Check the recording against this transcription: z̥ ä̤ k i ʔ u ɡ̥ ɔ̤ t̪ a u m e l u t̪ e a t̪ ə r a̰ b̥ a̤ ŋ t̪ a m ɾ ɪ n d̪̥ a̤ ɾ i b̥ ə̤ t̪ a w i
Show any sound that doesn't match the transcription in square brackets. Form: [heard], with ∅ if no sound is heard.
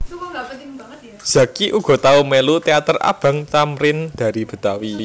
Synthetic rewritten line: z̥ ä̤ k i ʔ u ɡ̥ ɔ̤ t̪ a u m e l u t̪ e a t̪ ə r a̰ b̥ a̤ ŋ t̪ a m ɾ ɪ n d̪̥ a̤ ɾ i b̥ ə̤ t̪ a w i